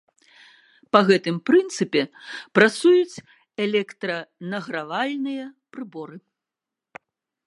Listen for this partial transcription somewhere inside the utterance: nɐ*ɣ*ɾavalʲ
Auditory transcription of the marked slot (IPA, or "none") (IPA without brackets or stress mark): ɣ